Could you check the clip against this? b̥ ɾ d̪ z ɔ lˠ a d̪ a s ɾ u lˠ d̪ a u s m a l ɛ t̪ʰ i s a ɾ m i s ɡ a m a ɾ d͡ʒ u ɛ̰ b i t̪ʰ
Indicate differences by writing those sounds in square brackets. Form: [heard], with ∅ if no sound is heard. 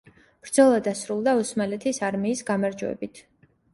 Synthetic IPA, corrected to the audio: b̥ ɾ d̪ z ɔ lˠ a d̪ a s ɾ u lˠ d̪ a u s m a l ɛ t̪ʰ i s a ɾ m [iː] s ɡ a m a ɾ d͡ʒ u ɛ̰ b i t̪ʰ